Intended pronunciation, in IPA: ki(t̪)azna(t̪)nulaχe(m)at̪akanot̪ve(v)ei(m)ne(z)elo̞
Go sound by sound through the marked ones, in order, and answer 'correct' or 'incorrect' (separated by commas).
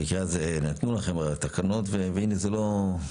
incorrect, correct, correct, correct, incorrect, correct